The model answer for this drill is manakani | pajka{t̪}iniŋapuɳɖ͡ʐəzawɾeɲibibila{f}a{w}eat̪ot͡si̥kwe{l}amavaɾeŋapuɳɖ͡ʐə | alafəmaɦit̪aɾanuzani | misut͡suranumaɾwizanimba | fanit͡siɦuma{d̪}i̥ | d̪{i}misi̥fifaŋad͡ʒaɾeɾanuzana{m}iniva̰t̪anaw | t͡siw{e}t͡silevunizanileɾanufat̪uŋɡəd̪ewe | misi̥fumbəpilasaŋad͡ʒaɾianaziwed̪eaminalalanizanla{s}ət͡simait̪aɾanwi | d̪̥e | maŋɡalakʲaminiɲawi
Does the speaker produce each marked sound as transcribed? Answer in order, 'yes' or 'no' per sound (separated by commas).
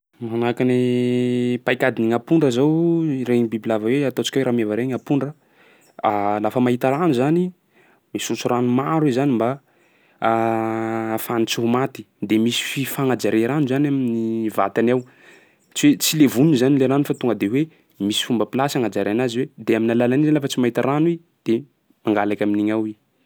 no, no, yes, no, no, no, yes, yes, no